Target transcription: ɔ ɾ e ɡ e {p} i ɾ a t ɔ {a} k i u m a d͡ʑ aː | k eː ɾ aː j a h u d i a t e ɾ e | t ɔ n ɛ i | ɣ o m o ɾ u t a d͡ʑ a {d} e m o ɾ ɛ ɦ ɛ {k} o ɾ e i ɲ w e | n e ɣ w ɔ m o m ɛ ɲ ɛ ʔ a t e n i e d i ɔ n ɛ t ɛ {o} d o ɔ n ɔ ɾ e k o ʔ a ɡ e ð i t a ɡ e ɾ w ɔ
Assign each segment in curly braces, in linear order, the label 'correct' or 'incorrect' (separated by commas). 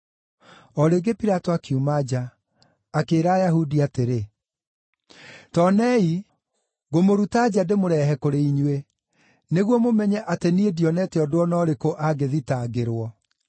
correct, correct, correct, correct, incorrect